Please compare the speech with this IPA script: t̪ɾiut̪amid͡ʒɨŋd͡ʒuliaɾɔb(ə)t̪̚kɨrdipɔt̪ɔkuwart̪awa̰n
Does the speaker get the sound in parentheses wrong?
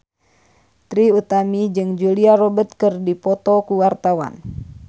no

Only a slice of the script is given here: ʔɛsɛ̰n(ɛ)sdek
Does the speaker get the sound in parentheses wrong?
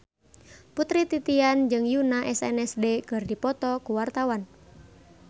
no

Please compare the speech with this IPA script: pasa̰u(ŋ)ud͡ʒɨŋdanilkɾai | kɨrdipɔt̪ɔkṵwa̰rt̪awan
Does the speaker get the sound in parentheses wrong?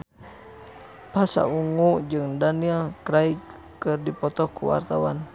no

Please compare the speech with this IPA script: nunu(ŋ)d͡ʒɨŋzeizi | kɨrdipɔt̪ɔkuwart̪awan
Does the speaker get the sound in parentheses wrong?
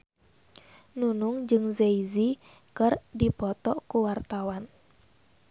no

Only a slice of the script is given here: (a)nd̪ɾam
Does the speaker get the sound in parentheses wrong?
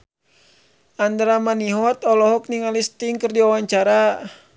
no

